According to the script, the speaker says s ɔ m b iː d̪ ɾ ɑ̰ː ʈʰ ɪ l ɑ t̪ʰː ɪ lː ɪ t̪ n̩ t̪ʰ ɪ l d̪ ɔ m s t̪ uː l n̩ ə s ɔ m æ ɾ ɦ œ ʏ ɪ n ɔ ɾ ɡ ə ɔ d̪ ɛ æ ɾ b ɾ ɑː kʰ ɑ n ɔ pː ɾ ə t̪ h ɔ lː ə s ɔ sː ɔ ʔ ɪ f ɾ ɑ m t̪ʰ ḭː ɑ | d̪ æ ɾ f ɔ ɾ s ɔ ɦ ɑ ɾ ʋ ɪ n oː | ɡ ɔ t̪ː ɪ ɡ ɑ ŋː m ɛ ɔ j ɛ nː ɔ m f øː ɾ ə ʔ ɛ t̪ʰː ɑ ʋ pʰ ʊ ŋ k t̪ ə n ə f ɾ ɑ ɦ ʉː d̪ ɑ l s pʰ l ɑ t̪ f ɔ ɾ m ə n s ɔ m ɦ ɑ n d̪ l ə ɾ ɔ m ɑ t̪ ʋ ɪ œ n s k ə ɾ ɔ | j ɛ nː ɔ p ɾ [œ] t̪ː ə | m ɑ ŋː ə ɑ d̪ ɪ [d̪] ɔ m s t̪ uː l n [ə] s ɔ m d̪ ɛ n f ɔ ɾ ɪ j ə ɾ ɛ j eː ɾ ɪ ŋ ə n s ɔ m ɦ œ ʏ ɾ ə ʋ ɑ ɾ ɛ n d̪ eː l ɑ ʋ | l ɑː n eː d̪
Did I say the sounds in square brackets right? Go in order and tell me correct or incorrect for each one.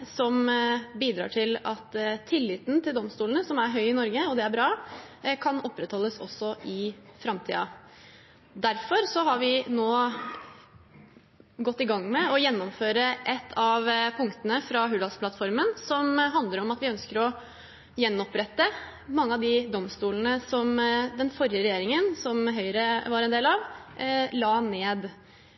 incorrect: ɛ, correct, correct

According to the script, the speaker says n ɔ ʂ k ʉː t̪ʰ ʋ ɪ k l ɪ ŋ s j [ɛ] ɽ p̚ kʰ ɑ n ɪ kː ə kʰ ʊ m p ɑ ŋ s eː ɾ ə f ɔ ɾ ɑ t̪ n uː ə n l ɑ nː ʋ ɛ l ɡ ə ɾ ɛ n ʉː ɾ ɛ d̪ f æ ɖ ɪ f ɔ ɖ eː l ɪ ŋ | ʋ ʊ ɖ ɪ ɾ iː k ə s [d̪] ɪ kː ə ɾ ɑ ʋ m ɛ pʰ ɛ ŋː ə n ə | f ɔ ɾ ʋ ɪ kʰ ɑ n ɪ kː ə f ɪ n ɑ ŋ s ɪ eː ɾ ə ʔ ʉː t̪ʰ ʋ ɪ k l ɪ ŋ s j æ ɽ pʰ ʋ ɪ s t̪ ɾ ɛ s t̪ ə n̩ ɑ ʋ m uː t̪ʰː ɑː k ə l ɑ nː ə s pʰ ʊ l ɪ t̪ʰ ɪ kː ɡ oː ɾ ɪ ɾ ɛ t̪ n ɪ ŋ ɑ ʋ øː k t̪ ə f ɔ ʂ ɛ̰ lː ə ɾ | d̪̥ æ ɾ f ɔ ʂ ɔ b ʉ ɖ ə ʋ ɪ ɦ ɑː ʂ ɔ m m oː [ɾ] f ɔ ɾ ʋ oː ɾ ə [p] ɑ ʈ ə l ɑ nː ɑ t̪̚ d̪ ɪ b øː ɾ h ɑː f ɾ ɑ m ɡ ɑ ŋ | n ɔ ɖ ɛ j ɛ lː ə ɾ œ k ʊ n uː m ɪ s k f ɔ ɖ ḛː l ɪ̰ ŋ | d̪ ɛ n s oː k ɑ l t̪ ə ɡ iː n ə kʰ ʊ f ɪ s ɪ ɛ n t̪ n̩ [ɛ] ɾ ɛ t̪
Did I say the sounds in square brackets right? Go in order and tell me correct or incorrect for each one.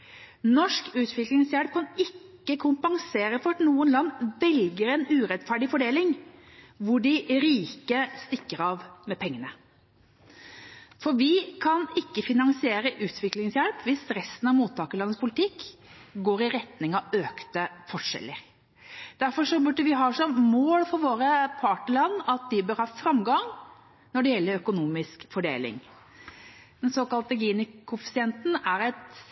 incorrect: æ, incorrect: t̪, incorrect: l, incorrect: pʰ, incorrect: æ

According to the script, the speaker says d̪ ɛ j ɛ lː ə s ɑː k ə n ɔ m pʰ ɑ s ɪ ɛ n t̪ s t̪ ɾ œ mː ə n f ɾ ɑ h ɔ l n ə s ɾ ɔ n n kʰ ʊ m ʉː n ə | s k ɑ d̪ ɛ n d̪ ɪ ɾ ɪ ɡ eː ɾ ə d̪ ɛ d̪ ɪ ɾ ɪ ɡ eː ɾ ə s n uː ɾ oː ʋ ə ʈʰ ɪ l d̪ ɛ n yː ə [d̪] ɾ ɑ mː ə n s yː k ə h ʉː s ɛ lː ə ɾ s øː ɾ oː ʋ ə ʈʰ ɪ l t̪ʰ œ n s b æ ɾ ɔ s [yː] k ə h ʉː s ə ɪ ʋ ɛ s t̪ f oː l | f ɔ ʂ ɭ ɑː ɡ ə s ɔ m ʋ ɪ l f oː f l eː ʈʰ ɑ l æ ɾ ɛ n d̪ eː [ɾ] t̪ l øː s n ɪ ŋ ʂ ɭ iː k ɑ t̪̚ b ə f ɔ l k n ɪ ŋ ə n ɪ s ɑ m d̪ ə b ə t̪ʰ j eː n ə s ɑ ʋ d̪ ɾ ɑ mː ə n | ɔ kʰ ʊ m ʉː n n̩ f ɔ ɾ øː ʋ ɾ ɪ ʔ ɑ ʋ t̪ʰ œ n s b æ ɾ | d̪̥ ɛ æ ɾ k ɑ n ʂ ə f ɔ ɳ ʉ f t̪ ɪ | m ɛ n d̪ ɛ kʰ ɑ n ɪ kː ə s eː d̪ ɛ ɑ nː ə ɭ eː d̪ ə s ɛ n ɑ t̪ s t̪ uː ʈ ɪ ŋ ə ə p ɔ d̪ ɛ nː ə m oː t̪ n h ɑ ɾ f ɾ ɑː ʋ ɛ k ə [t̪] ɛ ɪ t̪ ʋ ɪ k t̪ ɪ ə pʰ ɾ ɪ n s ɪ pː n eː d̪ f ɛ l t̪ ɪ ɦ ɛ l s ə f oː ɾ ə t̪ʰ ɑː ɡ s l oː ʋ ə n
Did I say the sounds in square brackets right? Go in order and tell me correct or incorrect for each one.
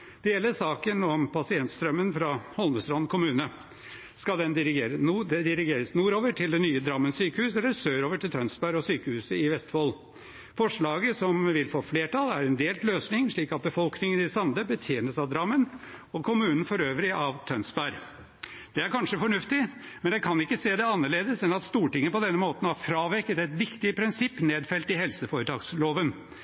correct, correct, incorrect: l, correct

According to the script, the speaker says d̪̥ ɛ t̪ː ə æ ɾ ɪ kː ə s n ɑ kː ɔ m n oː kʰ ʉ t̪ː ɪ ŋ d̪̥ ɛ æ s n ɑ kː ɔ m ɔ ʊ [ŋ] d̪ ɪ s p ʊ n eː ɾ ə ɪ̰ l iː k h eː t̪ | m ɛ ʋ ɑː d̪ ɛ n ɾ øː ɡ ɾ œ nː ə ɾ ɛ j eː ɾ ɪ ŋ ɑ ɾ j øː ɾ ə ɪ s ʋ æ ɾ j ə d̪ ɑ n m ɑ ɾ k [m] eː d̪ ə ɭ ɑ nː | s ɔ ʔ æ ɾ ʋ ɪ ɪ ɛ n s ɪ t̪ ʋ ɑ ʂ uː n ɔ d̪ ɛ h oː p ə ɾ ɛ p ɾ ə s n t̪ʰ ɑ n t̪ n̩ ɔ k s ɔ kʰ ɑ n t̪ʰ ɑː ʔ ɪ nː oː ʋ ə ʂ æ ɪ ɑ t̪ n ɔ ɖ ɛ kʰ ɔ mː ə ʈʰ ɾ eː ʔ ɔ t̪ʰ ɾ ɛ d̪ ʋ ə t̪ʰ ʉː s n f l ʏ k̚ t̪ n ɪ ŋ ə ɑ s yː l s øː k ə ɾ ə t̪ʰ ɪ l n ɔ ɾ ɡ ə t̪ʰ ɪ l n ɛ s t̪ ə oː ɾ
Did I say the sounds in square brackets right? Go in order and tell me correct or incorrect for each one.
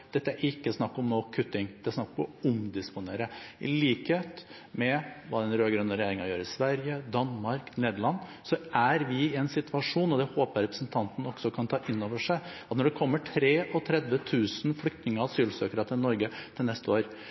incorrect: m, incorrect: n

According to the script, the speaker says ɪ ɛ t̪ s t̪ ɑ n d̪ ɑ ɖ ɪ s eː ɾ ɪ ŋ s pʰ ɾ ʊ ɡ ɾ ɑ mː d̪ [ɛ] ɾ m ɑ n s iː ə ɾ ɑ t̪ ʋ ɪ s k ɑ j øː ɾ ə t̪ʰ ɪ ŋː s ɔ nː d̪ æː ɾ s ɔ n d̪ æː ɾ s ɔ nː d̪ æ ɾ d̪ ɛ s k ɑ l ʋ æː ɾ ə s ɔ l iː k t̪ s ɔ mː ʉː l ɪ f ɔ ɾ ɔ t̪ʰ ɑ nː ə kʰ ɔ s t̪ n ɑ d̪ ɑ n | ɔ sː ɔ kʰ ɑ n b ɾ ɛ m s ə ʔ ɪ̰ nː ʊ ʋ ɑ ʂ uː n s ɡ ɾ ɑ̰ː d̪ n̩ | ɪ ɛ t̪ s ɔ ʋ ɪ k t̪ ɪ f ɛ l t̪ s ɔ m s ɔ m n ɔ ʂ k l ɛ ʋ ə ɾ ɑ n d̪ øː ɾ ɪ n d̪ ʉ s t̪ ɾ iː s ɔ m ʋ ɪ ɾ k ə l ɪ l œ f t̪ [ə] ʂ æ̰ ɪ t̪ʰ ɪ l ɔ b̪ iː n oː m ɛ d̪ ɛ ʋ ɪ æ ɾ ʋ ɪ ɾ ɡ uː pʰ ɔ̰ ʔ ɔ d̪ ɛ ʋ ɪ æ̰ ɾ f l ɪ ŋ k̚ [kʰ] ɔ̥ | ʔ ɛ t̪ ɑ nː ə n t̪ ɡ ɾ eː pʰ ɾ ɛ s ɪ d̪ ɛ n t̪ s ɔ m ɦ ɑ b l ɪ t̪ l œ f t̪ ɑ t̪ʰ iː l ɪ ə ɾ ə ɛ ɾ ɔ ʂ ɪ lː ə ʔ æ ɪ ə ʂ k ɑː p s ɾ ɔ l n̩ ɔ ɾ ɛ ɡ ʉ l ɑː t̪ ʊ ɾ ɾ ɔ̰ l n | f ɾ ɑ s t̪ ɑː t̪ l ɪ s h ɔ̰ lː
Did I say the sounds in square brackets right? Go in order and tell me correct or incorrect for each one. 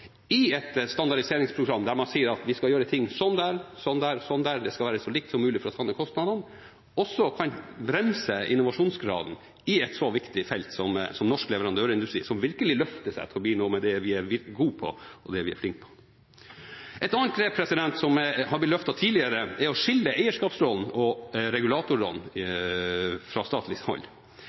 incorrect: æ, correct, incorrect: pʰ

